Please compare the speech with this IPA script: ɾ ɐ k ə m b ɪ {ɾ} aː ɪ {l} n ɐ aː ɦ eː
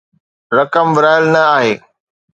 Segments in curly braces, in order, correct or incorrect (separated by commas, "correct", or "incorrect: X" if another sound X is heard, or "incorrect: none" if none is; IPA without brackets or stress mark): correct, correct